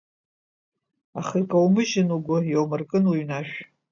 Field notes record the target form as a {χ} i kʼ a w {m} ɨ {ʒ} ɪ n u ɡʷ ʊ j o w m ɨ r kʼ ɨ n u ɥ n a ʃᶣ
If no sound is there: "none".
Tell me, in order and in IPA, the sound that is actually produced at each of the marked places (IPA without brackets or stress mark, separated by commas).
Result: χ, m, ʒ